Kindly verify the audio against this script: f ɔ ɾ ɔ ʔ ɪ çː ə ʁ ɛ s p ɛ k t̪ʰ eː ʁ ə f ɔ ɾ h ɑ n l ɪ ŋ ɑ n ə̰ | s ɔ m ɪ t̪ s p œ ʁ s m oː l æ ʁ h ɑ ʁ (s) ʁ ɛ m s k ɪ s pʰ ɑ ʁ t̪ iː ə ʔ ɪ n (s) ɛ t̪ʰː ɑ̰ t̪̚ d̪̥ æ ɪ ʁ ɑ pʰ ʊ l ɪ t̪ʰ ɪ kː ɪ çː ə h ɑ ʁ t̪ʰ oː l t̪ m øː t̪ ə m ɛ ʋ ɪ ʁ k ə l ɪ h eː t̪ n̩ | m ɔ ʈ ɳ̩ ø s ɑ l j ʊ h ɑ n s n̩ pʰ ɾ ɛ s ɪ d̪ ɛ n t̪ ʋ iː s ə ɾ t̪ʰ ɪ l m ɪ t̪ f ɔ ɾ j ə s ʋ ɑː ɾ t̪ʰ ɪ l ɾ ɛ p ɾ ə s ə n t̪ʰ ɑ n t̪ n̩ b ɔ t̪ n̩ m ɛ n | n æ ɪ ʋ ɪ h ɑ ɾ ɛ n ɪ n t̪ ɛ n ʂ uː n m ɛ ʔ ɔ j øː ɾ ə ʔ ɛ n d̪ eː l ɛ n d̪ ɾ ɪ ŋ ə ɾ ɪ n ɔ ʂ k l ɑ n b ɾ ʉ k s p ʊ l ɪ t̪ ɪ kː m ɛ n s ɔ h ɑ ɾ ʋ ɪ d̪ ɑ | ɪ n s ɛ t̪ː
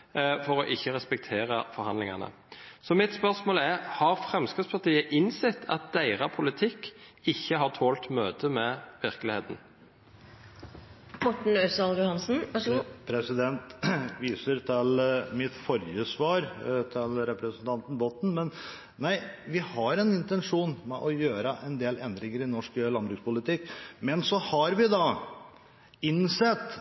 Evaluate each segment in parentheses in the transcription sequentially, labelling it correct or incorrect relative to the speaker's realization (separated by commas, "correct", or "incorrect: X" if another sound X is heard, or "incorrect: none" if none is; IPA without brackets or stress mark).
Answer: incorrect: f, correct